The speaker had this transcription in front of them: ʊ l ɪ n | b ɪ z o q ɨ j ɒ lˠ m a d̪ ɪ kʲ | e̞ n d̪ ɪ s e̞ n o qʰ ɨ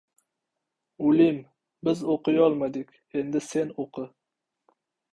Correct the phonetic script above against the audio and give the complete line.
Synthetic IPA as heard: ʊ l ɪ m | b ɪ z o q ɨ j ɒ lˠ m a d̪ ɪ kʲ | e̞ n d̪ ɪ s e̞ n o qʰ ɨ